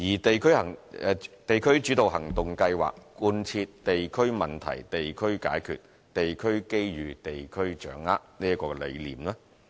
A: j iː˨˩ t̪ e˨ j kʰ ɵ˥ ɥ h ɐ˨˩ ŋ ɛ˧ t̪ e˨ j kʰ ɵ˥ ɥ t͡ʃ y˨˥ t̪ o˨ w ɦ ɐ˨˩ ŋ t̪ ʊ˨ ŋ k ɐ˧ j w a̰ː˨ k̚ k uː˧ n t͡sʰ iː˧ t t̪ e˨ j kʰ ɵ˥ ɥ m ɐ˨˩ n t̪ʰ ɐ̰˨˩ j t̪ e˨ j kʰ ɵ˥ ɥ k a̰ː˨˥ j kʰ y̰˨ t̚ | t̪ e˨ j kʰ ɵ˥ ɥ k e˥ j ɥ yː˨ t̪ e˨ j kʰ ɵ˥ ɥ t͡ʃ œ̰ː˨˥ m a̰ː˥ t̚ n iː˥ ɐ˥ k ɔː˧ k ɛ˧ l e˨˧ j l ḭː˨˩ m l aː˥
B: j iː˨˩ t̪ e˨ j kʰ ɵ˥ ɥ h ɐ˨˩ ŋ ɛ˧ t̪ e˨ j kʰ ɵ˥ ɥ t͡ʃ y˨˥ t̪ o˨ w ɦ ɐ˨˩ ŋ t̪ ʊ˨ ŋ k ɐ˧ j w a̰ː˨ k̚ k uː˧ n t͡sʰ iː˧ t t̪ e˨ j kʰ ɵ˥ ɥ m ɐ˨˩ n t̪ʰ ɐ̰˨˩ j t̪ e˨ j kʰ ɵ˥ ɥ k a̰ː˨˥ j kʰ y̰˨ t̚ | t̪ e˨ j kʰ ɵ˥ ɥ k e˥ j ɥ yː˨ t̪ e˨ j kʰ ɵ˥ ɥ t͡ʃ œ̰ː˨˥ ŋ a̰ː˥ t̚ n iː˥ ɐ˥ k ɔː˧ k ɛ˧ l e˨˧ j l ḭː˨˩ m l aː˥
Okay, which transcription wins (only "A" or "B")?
B